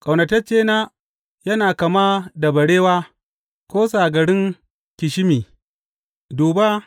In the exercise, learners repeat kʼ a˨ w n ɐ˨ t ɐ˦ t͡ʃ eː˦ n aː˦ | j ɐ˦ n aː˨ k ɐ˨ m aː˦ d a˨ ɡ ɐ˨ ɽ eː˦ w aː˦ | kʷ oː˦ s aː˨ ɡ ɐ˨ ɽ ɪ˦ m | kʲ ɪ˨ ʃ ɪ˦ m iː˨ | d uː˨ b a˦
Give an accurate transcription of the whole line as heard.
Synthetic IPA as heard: kʼ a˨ w n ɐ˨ t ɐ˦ t͡ʃ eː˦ n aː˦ | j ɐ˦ n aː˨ k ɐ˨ m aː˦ d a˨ b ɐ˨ ɽ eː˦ w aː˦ | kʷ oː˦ s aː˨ ɡ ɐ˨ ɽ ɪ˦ ŋ | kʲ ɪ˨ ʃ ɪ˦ m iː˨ | d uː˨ b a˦

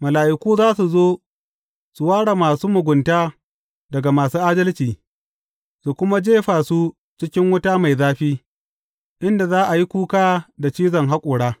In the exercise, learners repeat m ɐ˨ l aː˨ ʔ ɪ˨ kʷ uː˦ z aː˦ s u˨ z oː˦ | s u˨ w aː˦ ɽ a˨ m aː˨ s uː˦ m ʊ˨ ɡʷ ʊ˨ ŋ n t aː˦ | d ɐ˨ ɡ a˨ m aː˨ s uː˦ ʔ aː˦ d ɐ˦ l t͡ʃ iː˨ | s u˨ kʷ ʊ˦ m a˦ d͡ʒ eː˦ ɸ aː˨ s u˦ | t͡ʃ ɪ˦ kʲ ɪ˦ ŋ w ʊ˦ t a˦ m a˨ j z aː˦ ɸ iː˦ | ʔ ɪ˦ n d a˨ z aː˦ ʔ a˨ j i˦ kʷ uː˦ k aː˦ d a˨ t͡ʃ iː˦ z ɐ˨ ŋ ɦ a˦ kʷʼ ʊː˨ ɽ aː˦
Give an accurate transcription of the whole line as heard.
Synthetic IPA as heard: m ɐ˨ l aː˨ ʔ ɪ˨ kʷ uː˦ z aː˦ s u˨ z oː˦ | s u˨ w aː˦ ɽ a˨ m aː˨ s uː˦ m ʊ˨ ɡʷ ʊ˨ n t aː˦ | d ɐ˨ ɡ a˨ m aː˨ s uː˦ ʔ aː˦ d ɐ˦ l t͡ʃ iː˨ | s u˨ kʷ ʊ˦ m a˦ d͡ʒ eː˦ ɸ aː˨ s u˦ | t͡ʃ ɪ˦ kʲ ɪ˦ ŋ w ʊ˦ t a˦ m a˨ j z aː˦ ɸ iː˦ | ʔ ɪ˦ n d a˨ z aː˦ ʔ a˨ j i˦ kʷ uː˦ k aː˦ d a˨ t͡ʃ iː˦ z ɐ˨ ŋ ɦ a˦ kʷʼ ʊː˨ ɽ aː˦

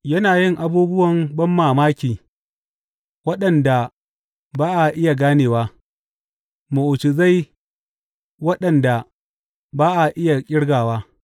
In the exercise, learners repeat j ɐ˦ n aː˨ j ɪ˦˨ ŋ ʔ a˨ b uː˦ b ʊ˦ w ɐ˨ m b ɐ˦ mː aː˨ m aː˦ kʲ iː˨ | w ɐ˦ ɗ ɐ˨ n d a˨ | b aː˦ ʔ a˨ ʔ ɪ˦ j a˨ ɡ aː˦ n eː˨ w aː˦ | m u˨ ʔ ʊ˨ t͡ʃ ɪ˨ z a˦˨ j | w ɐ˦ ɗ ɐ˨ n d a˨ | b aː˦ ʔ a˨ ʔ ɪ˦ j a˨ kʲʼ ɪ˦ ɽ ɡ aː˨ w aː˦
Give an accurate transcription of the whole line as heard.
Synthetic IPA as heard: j ɐ˦ n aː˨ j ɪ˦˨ ŋ ʔ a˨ b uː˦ b ʊ˦ w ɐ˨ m b ɐ˦ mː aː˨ m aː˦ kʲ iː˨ | w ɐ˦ ɗ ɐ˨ n d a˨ | b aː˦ ʔ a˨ ʔ ɪ˦ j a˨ ɡ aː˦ n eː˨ w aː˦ | m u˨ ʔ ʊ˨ t͡ʃ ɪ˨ z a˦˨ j | w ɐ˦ ɗ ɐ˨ n d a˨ | b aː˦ ʔ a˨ ʔ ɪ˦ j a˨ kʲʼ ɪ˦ ɽ ɡ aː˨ w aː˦

